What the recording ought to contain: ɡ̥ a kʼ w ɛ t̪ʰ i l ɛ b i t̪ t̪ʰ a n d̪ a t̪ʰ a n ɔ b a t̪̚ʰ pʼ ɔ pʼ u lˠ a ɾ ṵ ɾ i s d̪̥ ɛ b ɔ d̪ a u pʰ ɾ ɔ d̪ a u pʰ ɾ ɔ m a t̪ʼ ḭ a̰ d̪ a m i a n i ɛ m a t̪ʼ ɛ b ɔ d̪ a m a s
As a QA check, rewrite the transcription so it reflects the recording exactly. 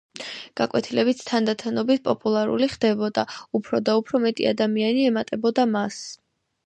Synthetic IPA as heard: ɡ̥ a kʼ w ɛ t̪ʰ i l ɛ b i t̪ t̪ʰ a n d̪ a t̪ʰ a n ɔ b i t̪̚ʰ pʼ ɔ pʼ u lˠ a ɾ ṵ l i χ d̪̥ ɛ b ɔ d̪ a u pʰ ɾ ɔ d̪ a u pʰ ɾ ɔ m ɛ t̪ʼ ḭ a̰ d̪ a m i a n i ɛ m a t̪ʼ ɛ b ɔ d̪ a m a s